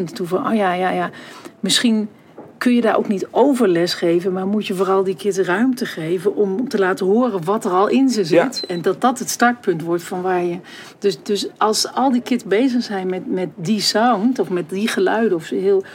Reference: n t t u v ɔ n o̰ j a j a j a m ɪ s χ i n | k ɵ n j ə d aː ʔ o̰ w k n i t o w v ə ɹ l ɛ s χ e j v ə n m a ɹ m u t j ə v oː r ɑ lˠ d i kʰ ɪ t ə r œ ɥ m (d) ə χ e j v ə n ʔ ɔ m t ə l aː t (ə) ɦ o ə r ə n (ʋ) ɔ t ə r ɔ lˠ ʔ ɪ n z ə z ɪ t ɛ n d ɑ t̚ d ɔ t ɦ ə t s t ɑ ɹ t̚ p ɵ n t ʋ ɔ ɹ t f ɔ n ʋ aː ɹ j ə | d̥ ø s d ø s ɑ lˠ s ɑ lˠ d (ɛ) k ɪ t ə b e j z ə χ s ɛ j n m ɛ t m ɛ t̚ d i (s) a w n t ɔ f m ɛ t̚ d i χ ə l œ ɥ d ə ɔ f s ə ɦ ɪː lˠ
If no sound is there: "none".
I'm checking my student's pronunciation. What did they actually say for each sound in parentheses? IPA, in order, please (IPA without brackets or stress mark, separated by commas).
t, ə, ʋ, i, s